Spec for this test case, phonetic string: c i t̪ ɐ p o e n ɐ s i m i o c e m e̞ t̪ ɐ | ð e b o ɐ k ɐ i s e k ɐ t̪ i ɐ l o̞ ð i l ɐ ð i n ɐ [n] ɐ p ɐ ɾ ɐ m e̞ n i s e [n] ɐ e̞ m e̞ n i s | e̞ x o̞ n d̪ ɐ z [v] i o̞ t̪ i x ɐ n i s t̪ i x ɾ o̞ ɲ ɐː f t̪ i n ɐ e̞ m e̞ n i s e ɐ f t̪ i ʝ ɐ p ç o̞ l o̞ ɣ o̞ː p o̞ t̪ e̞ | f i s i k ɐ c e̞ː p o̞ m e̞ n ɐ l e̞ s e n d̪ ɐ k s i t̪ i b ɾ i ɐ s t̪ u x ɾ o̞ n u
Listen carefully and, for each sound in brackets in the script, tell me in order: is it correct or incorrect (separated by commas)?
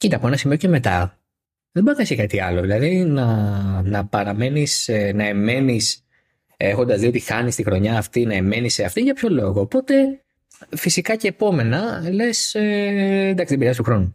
correct, correct, incorrect